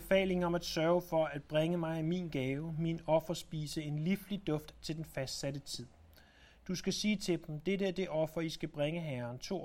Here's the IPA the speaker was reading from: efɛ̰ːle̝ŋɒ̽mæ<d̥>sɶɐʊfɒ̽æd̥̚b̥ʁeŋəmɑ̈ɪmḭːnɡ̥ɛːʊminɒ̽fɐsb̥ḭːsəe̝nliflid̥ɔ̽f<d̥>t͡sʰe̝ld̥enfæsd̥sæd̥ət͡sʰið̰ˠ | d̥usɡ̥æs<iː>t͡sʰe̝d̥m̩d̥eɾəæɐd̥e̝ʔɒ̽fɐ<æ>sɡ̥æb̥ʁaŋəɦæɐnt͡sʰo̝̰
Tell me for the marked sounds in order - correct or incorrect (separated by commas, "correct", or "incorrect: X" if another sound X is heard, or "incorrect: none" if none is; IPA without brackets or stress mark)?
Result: correct, correct, correct, incorrect: i